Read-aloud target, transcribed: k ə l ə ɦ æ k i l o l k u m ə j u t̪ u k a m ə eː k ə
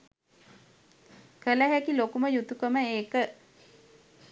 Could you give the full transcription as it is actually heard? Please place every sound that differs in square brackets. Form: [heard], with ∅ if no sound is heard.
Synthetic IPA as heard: k ə l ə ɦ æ k i l o [∅] k u m ə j u t̪ u k [ə] m ə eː k ə

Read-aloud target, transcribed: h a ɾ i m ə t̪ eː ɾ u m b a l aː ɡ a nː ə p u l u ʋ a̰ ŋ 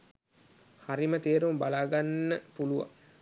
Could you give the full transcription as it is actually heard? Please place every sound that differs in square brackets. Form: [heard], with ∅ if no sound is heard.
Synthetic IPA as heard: h a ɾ i m ə t̪ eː ɾ u m b a l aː ɡ a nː ə p u l u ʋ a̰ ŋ

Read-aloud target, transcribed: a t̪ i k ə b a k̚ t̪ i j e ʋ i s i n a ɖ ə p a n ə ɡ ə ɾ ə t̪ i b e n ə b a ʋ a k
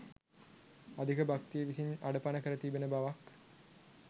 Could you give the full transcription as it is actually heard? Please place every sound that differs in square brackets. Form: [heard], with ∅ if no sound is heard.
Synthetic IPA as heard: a [d̪] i k ə b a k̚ t̪ i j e ʋ i s i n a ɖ ə p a n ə [k] ə ɾ ə t̪ i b e n ə b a ʋ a k

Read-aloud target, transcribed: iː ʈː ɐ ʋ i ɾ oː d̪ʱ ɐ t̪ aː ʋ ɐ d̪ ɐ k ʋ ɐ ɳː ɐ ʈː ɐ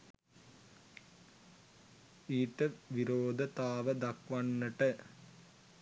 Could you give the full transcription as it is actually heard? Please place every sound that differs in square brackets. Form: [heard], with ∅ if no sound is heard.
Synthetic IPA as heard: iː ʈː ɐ ʋ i ɾ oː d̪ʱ ɐ t̪ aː ʋ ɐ d̪ ɐ k ʋ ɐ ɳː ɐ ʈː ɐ

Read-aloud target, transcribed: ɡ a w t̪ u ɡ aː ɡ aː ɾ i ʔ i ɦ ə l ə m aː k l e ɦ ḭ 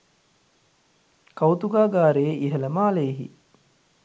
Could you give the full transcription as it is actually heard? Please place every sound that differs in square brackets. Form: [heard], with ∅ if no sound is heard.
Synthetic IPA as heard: [k] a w t̪ u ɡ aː ɡ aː ɾ [e] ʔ i ɦ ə l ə m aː [∅] l e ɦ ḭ

